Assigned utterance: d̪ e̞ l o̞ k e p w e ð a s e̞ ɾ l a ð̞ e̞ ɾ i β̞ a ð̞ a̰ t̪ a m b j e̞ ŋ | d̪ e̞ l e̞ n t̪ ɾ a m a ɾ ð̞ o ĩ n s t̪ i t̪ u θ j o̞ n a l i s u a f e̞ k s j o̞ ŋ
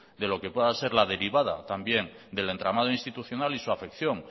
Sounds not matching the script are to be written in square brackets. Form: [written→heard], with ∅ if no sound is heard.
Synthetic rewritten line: d̪ e̞ l o̞ k e p w e ð a s e̞ ɾ l a ð̞ e̞ ɾ i β̞ a ð̞ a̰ t̪ a m b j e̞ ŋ | d̪ e̞ l e̞ n t̪ ɾ a m a [ɾ→∅] ð̞ o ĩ n s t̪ i t̪ u θ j o̞ n a l i s u a f e̞ k [s→θ] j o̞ ŋ